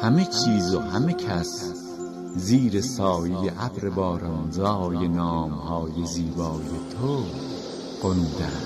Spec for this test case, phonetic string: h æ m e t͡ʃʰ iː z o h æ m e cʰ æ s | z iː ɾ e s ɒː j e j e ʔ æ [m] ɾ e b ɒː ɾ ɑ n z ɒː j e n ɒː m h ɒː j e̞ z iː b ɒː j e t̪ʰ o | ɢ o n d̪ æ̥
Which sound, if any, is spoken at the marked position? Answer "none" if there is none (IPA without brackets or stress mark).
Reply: b